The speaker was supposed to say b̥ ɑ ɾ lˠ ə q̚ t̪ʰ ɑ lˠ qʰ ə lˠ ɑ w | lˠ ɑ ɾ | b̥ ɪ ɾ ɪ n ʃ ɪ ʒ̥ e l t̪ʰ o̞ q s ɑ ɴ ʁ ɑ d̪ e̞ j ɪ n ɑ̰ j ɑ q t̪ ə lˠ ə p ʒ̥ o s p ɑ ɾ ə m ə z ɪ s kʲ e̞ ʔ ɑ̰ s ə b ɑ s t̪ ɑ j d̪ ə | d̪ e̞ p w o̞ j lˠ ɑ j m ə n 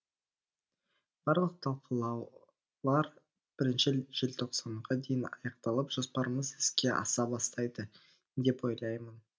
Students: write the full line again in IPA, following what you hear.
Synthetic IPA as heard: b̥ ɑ ɾ lˠ ə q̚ t̪ʰ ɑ lˠ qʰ ə lˠ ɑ w | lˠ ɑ ɾ | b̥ ɪ ɾ ɪ n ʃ ɪ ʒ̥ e l t̪ʰ o̞ q s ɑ ɴ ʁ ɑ d̪ e̞ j ɪ n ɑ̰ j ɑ q t̪ ɑ lˠ ə p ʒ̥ o s p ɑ ɾ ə m ə z ɪ s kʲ e̞ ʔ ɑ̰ s ɑ b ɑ s t̪ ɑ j d̪ ə | d̪ e̞ p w o̞ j lˠ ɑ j m ə n